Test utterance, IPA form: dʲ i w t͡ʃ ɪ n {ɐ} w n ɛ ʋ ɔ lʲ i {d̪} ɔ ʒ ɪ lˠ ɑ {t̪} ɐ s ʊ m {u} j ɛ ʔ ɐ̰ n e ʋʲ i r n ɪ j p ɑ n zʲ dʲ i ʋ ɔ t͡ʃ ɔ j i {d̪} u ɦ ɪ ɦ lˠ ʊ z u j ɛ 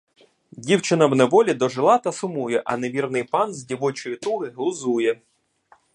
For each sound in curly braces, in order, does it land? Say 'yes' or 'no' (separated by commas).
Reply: yes, yes, yes, yes, no